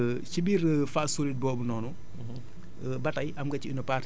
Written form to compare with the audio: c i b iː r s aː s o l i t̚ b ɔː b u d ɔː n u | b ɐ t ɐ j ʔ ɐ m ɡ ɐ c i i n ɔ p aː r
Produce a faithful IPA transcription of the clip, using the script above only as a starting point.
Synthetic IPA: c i b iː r f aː s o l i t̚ b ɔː b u n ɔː n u | b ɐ t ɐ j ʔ ɐ m ɡ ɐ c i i n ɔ p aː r

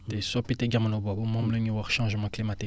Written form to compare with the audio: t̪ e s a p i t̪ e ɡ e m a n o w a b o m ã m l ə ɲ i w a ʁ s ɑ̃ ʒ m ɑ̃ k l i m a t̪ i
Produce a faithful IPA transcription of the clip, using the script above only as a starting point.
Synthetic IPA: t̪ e s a p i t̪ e ɡ a m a n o b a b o m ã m l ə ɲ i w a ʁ ʃ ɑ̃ ʒ m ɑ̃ k l i m a t̪ i

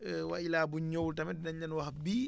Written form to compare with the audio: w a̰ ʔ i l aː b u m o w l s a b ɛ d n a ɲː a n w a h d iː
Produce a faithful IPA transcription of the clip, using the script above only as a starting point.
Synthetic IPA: w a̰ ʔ i l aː b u ɲ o w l t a m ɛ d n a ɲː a n w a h b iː

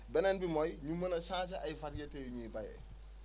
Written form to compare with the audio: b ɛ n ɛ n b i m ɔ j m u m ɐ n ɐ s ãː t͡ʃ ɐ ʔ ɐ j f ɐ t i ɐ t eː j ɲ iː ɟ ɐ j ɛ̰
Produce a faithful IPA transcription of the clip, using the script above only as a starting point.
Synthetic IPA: b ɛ n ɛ n b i m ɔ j ɲ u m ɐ n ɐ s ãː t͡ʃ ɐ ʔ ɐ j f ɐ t j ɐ t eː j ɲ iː b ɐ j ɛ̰

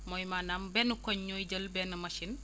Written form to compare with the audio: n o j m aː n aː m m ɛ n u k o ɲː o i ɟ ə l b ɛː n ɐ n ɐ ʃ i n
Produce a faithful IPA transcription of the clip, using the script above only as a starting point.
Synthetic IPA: m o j m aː n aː m b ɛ n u k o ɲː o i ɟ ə l b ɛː n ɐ m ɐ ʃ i n

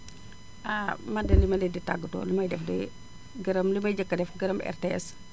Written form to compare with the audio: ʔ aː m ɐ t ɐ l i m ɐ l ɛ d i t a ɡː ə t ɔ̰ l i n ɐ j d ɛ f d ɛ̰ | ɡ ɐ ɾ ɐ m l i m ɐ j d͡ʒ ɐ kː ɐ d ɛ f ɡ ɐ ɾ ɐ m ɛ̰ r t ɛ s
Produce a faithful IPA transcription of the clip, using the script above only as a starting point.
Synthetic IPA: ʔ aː m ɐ d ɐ l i m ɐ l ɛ d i t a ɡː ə t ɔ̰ l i m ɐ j d ɛ f d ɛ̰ | ɡ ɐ ɾ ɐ m l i m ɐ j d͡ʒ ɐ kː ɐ d ɛ f ɡ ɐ ɾ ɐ m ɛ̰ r t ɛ s

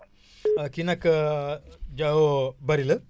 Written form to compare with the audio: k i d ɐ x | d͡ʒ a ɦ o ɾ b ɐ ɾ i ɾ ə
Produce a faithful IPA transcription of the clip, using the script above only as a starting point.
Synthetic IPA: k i n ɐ k | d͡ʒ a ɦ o b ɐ ɾ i l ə

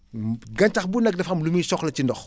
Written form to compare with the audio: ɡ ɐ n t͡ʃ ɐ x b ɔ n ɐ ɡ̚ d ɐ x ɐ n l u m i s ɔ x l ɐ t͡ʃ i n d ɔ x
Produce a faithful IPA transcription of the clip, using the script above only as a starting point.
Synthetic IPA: ɡ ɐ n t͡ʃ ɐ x b u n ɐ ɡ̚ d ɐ f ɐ m l u m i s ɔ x l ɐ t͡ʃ i n d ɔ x

